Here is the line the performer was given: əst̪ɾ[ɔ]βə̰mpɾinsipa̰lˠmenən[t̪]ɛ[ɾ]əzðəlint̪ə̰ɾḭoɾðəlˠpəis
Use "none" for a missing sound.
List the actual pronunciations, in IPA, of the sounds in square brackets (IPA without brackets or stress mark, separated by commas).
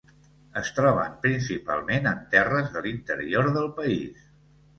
ɔ, t̪, r